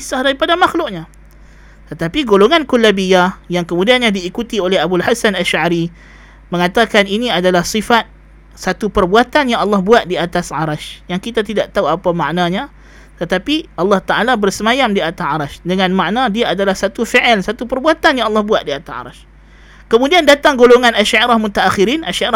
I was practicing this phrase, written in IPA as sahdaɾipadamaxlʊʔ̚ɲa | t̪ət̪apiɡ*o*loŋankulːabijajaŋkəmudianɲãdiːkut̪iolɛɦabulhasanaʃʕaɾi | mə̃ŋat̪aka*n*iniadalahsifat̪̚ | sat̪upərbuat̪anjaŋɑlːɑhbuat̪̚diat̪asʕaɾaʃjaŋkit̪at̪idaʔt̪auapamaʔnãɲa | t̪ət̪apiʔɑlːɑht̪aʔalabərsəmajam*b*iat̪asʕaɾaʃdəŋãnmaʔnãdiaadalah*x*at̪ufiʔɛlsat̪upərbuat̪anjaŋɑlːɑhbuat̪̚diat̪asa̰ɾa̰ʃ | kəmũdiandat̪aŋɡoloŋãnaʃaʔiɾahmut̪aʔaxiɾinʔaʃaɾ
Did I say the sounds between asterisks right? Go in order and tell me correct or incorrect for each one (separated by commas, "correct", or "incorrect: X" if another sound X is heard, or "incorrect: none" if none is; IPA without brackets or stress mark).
correct, correct, incorrect: d, incorrect: s